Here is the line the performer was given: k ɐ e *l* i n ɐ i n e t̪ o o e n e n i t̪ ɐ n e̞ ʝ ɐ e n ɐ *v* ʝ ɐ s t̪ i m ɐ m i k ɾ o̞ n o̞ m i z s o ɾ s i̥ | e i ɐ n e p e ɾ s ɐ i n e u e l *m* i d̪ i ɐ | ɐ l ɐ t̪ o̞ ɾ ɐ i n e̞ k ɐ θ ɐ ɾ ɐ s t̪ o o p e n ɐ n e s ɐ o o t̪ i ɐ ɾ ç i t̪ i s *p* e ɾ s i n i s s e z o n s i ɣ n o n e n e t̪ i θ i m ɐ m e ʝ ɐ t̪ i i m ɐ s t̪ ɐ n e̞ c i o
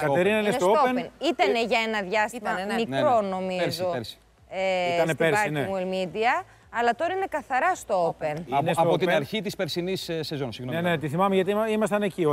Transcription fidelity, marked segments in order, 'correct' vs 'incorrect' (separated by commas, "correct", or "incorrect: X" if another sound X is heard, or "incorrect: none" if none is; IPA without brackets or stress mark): incorrect: ɾ, incorrect: ð, correct, correct